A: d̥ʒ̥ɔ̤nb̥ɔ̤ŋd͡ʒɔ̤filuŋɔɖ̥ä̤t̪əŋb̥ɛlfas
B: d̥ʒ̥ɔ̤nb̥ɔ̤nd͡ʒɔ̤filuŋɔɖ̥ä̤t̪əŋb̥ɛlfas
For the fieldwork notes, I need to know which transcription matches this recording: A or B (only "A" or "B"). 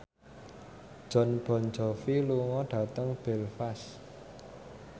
B